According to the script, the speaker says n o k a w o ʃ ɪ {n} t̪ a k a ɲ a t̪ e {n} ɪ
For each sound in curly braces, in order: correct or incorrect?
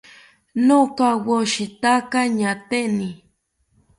incorrect, correct

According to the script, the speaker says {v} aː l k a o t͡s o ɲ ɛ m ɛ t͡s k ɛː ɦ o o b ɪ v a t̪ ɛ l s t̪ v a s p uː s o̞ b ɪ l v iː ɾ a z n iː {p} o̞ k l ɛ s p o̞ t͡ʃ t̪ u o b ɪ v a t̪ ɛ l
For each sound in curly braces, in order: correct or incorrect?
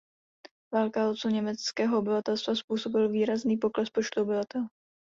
correct, correct

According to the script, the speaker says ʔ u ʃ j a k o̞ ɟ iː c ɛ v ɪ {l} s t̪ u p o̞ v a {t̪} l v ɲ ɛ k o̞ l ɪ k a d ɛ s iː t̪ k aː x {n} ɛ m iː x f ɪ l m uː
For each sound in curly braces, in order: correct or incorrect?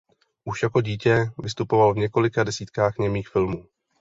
incorrect, incorrect, incorrect

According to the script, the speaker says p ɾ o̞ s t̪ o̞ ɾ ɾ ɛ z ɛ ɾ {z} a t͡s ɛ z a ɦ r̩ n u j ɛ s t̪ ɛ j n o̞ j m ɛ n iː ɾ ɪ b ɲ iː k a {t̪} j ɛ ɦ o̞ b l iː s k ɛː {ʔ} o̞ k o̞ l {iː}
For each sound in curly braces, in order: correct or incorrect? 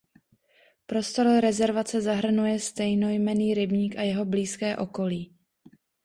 incorrect, incorrect, correct, correct

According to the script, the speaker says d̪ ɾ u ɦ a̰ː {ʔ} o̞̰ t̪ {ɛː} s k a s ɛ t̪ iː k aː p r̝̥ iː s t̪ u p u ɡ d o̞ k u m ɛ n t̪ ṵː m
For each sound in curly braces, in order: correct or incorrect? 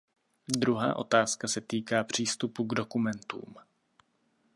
correct, incorrect

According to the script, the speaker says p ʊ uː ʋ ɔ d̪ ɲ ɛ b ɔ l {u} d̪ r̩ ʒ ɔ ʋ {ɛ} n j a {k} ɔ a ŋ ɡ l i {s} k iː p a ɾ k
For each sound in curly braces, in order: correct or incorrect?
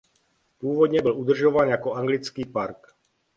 correct, incorrect, correct, incorrect

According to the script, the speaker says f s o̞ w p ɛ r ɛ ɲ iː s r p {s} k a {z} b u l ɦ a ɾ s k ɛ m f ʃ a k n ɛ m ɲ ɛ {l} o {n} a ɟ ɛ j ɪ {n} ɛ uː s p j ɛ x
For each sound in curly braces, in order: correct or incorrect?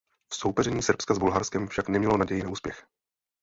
correct, correct, correct, correct, correct

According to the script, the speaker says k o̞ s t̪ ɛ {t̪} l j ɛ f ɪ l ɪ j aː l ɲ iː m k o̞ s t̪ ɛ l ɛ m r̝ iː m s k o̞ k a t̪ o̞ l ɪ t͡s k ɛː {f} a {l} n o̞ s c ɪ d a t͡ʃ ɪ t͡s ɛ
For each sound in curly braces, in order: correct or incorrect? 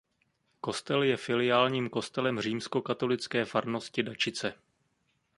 incorrect, correct, incorrect

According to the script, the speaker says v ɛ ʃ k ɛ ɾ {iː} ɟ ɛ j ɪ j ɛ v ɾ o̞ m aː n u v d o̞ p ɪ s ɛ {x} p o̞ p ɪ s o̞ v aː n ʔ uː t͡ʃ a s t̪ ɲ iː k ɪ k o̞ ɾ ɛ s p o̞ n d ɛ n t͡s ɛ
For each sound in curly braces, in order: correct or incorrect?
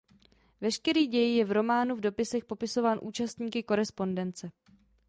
correct, correct

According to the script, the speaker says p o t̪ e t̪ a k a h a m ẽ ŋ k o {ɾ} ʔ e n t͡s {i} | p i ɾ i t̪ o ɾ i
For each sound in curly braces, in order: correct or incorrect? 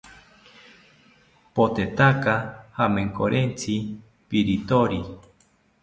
correct, correct

